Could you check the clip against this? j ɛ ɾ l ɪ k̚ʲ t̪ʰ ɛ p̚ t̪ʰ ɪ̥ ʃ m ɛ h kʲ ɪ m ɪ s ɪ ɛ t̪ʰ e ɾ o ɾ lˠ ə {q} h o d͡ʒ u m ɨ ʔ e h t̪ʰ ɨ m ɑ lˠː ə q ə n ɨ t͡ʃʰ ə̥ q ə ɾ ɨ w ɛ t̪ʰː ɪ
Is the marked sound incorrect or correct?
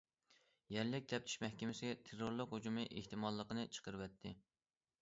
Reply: correct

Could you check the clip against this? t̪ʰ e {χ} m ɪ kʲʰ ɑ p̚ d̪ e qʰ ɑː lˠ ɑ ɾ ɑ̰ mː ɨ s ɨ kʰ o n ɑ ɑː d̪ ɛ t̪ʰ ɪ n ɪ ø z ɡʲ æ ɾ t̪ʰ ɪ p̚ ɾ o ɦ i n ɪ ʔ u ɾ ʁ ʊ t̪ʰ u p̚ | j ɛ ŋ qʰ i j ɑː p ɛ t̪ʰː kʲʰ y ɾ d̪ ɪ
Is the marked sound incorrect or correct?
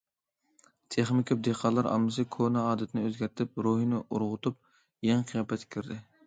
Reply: correct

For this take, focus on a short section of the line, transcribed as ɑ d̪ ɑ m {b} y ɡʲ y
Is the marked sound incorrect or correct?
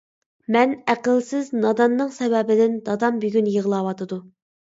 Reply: correct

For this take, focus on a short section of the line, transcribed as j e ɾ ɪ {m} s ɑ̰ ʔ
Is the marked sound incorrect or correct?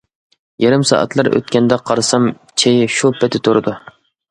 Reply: correct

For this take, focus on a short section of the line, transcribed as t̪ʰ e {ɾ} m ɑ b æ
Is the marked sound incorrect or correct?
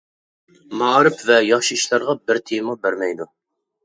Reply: incorrect: none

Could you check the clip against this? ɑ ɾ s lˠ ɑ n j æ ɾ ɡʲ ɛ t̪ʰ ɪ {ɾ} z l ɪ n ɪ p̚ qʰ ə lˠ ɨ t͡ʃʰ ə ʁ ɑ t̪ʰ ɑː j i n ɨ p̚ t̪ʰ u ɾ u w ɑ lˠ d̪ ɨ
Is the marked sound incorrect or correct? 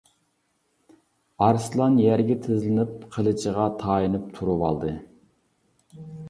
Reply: incorrect: none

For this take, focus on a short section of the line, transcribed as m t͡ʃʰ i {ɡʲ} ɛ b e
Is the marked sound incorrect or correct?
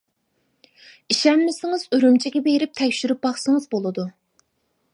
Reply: correct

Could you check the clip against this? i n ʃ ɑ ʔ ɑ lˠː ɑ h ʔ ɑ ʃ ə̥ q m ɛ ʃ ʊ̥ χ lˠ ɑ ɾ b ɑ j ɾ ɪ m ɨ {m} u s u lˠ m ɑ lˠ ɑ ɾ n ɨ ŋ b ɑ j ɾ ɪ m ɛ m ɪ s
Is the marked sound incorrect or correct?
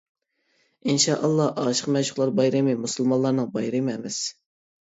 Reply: correct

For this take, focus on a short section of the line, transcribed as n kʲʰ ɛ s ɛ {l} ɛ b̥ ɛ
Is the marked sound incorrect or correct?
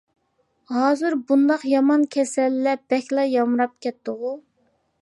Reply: incorrect: lː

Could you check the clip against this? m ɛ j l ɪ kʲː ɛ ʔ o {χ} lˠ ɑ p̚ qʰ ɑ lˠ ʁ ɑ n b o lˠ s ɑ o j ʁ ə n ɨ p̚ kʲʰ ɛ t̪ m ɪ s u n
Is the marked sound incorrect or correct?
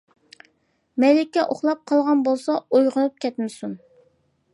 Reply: correct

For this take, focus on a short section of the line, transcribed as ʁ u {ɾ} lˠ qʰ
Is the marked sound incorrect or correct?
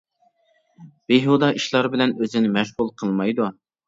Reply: incorrect: none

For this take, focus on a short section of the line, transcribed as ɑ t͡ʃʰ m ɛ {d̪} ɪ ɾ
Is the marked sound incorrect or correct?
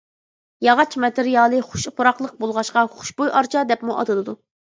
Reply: incorrect: t̪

